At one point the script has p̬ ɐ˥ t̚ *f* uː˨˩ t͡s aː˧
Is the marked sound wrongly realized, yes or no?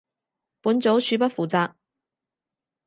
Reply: no